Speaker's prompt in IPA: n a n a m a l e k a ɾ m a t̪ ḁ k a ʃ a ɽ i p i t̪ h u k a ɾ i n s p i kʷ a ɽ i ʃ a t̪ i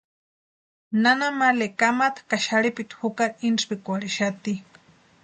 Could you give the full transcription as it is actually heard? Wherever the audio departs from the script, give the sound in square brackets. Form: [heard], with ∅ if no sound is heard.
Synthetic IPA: n a n a m a l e k a [∅] m a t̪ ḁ k a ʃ a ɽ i p i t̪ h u k a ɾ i n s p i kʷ a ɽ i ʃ a t̪ i